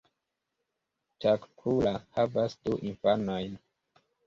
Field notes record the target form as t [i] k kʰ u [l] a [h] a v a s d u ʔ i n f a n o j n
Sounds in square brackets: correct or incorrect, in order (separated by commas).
incorrect, correct, correct